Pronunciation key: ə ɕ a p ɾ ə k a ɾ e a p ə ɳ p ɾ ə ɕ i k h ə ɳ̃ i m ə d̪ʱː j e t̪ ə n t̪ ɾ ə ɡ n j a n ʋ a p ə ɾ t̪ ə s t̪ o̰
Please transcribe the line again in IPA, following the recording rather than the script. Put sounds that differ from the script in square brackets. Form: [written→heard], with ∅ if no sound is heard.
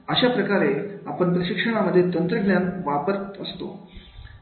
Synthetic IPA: ə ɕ a p ɾ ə k a ɾ e a p ə ɳ p ɾ ə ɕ i k [h→ʂ] ə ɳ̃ [i→a] m ə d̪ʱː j e t̪ ə n t̪ ɾ ə ɡ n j a n ʋ a p ə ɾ t̪ ə s t̪ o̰